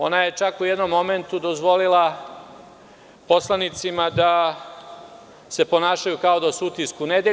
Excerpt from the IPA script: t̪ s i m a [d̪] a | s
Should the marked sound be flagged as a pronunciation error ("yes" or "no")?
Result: no